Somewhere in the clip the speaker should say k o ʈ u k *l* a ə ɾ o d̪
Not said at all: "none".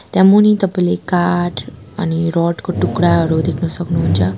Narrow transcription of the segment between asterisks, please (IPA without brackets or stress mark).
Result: ɽ